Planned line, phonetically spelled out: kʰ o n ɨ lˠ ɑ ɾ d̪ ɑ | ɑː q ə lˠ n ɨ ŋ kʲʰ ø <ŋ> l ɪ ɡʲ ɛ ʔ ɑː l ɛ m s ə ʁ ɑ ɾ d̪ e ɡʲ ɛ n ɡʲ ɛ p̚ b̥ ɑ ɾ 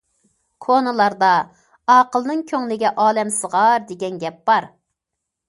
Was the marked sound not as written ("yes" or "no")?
no